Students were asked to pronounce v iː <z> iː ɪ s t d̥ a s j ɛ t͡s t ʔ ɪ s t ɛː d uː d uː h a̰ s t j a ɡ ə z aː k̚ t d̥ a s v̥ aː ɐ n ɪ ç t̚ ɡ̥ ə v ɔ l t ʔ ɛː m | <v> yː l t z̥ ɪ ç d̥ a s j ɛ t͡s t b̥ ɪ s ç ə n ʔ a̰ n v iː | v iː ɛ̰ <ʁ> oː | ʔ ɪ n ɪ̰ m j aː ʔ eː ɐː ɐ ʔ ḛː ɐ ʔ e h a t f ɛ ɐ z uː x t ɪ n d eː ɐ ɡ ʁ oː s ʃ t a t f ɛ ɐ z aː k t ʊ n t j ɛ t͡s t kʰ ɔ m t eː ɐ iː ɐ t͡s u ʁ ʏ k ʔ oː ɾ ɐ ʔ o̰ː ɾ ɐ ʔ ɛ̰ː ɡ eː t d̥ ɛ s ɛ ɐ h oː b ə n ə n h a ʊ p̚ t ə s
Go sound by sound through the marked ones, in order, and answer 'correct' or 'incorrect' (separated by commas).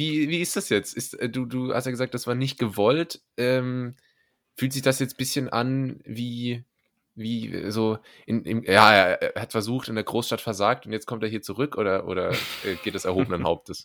incorrect, incorrect, incorrect